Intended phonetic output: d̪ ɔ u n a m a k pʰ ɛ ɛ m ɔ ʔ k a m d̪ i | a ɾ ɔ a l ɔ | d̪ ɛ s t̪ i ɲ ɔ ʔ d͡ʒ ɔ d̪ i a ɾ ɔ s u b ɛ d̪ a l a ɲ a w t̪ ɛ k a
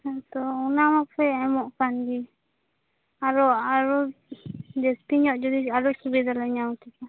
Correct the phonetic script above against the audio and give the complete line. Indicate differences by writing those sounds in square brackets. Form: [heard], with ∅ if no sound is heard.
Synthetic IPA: [t̪] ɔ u n a m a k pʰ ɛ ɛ m ɔ ʔ k a [n] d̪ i | a ɾ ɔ a [ɾ] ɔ | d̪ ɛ s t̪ i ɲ ɔ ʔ d͡ʒ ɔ d̪ i a ɾ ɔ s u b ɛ d̪ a l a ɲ a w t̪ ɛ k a